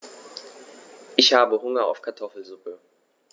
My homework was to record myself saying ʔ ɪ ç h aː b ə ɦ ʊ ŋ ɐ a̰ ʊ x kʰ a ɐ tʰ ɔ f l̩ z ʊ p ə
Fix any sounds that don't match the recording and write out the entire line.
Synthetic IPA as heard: ʔ ɪ ç h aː b ə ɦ ʊ ŋ ɐ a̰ ʊ f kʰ a ɐ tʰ ɔ f l̩ z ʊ p ə